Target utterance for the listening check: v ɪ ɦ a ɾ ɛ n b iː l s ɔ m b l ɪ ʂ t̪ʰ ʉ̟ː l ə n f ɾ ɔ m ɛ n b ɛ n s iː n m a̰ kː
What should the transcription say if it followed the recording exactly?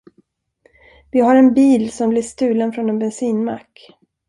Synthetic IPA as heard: v ɪ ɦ a ɾ ɛ n b iː l s ɔ m b l ɪ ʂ t̪ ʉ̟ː l ə n f ɾ ɔ n ɛ n b ɛ n s iː n m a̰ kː